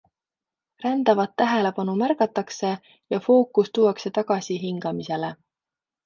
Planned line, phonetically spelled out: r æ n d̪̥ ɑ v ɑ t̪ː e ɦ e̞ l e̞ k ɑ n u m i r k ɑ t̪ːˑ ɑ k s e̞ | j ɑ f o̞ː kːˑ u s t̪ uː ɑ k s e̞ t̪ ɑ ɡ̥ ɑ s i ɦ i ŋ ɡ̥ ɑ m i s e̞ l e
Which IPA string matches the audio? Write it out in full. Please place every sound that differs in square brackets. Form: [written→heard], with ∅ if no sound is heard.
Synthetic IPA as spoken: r æ n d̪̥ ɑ v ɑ t̪ː [e→æ] ɦ e̞ l e̞ [k→p] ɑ n u m [i→æ] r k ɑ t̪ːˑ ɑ k s e̞ | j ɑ f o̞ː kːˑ u s t̪ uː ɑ k s e̞ t̪ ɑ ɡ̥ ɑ s i ɦ i ŋ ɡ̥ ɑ m i s e̞ l e